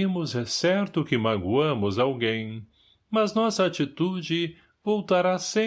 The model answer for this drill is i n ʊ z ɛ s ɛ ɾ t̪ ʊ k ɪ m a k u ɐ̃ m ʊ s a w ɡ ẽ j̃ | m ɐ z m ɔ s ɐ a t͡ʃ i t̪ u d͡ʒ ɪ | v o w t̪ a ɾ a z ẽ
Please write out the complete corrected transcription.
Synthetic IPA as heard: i m ʊ z ɛ s ɛ ɾ t̪ ʊ k ɪ m a ɡ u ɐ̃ m ʊ z a w ɡ ẽ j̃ | m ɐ z n ɔ s ɐ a t͡ʃ i t̪ u d͡ʒ ɪ | v o w t̪ a ɾ a s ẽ